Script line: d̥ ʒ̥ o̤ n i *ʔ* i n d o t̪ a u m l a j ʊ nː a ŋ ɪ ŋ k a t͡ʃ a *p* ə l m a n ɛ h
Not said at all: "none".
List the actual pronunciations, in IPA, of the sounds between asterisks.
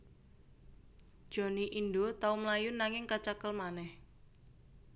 ʔ, k

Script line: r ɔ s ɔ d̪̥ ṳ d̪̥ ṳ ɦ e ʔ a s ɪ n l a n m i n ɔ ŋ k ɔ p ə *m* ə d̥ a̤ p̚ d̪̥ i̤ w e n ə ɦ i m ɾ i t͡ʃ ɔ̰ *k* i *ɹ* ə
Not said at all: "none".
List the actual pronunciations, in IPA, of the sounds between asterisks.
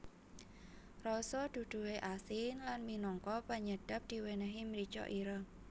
ɲ, ʔ, ɾ

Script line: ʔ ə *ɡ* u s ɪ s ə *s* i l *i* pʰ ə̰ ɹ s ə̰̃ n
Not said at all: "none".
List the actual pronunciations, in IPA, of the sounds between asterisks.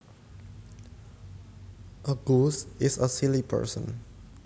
ɡ, s, i

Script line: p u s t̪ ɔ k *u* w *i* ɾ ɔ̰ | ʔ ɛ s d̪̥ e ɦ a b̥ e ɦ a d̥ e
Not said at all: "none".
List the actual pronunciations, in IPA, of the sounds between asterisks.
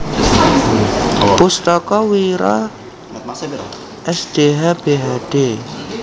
ɔ, i

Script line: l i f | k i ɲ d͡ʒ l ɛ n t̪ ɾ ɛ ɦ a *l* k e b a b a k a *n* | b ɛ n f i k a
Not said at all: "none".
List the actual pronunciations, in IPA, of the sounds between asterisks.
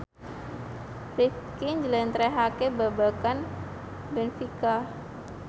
none, n

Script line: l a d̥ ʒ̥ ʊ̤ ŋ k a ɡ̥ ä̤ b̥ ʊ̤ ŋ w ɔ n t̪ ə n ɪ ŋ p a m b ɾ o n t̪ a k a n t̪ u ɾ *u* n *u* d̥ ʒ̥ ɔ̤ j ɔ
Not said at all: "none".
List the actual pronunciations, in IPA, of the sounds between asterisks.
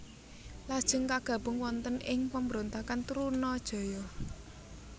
u, ɔ

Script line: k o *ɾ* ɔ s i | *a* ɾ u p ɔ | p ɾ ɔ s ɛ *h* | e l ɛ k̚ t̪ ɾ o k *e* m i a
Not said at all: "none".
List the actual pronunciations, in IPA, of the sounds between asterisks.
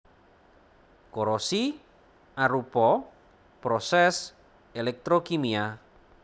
ɾ, a, s, i

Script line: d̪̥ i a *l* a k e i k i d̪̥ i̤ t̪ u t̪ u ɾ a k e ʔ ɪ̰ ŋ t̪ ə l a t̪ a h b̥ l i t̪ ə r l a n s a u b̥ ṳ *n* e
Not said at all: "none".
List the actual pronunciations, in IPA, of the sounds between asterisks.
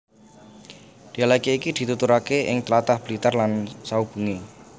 l, ŋ

